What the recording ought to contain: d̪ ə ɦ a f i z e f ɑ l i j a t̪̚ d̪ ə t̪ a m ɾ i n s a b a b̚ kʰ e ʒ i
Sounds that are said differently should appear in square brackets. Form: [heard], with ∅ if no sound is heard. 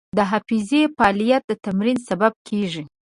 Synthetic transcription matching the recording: d̪ ə ɦ a f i z e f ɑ l i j a t̪̚ d̪ ə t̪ a m ɾ i n s a b a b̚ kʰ e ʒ i